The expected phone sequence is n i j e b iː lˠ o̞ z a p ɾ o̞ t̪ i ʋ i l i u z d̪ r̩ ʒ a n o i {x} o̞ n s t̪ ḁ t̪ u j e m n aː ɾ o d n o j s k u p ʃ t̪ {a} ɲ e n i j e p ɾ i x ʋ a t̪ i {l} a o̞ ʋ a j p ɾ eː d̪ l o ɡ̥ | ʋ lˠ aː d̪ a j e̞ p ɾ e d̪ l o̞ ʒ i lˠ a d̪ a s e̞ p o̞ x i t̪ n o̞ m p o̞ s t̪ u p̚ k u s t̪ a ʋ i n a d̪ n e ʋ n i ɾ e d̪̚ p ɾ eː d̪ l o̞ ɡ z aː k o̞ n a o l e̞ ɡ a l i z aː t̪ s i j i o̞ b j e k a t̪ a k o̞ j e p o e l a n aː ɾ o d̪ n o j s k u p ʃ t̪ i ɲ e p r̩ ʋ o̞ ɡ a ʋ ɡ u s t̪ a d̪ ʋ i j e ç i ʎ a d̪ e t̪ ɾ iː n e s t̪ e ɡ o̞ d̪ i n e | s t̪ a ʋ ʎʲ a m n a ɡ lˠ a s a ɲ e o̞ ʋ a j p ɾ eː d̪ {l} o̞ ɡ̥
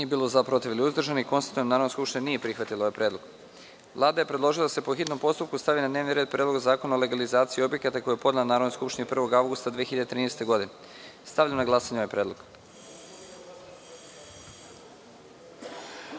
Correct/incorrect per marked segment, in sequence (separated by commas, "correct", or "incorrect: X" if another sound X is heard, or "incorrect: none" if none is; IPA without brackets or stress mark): incorrect: k, incorrect: i, correct, correct